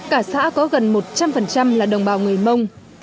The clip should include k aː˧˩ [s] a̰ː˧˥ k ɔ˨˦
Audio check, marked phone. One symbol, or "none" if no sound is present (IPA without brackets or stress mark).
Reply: s